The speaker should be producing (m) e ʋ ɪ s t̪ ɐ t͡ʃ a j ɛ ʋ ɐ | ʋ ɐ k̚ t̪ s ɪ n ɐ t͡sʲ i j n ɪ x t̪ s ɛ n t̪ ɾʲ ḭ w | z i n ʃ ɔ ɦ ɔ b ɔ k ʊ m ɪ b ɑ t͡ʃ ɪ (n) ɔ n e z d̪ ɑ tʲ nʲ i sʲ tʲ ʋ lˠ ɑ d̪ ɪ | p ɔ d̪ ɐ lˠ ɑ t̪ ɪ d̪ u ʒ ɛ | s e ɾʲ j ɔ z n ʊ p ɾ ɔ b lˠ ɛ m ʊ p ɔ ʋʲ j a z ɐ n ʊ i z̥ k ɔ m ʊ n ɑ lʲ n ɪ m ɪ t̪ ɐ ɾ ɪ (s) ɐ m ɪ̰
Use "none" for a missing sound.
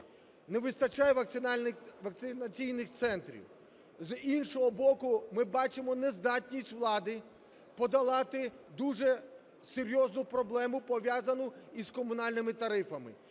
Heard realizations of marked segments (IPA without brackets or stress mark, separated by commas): n, m, f